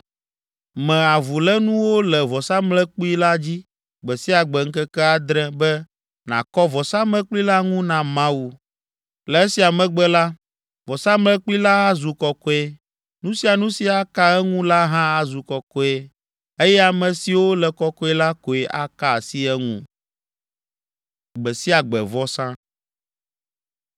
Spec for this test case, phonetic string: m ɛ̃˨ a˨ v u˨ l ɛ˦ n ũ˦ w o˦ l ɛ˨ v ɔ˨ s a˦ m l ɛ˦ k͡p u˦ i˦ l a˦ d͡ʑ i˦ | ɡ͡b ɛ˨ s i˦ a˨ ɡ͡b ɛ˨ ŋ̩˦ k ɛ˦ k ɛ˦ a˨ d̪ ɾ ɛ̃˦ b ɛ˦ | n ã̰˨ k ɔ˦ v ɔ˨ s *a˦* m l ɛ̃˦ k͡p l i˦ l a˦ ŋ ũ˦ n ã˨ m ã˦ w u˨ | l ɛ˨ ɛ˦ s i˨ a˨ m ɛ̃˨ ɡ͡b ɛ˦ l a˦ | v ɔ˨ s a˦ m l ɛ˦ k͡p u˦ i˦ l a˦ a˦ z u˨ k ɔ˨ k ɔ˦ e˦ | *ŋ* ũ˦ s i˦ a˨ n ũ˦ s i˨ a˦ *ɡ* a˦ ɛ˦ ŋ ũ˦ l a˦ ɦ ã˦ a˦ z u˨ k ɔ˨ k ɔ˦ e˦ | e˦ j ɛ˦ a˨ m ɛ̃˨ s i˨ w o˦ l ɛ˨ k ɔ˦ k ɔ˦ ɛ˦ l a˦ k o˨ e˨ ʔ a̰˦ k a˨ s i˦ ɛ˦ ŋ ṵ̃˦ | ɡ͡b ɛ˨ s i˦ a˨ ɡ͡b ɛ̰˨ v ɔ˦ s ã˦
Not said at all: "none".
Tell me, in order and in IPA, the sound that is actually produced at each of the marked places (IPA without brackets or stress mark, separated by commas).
a˦, n, k